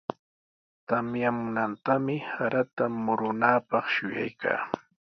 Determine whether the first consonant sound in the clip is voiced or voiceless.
voiceless